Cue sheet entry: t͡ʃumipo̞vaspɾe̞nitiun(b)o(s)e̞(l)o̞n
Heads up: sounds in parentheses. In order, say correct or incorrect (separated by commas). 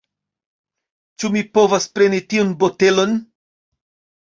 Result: correct, incorrect, correct